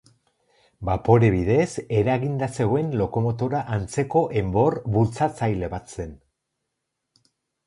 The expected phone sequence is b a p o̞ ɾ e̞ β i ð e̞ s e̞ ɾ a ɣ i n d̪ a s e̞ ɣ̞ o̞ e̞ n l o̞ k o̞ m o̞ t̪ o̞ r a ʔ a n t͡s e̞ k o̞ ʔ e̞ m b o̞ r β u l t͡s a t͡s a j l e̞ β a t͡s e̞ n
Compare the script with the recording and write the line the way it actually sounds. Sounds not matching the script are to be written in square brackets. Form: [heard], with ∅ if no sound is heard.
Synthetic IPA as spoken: b a p o̞ ɾ e̞ β i ð e̞ s e̞ ɾ a ɣ i n d̪ a s e̞ ɣ̞ o̞ e̞ n l o̞ k o̞ m o̞ t̪ o̞ [ɾ] a ʔ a n t͡s e̞ k o̞ ʔ e̞ m b o̞ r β u l t͡s a t͡s a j l e̞ β a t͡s e̞ n